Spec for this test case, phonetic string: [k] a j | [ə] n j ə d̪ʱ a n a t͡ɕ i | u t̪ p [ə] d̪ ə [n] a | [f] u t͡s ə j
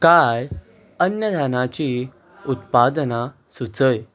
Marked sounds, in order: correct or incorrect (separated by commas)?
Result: correct, correct, incorrect, correct, incorrect